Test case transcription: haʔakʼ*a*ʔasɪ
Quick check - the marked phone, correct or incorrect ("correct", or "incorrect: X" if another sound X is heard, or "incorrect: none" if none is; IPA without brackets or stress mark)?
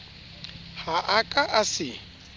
correct